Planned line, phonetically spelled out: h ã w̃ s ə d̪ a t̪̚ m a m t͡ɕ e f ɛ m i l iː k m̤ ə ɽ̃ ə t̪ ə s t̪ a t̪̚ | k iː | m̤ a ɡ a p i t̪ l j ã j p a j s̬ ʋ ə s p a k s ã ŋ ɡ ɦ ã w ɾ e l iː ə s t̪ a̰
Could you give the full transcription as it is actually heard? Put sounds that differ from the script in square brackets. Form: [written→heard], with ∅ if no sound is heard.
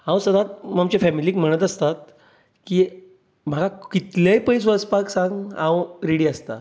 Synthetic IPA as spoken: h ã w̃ s ə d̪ a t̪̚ m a m t͡ɕ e f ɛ m i l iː k m̤ ə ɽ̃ ə t̪ ə s t̪ a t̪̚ | k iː | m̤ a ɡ a [p→k] i t̪ l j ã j p [a→ə] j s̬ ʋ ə s p a k s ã ŋ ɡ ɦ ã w ɾ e [l→ɽ] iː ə s t̪ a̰